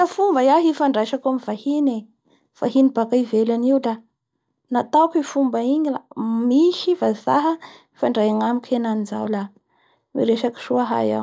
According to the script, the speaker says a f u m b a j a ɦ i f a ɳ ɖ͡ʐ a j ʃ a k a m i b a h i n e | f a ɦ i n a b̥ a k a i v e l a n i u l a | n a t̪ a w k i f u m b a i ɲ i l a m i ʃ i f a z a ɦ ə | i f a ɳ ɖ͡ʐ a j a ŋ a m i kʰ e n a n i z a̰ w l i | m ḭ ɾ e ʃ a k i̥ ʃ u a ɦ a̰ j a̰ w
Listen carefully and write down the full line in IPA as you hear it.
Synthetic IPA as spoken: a f u m b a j a ɦ i f a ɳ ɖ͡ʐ a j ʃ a k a m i v a h i n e | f a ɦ i n i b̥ a k a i v e l a n i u l a | n a t̪ a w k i f u m b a i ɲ i l a m i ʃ i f a z a ɦ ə | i f a ɳ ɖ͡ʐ a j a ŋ a m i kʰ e n a n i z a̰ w l a | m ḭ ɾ e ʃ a k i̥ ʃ u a ɦ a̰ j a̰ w